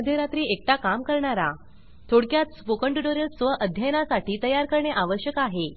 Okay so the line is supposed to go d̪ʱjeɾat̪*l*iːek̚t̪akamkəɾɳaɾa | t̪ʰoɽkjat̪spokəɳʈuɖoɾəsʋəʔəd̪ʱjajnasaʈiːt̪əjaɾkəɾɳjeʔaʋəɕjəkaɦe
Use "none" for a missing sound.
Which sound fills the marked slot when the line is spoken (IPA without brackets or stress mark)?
ɾ